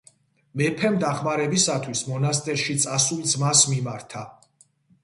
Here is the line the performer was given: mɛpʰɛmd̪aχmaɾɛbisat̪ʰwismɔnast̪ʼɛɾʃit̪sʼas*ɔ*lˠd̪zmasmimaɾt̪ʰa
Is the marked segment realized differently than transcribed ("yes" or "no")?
yes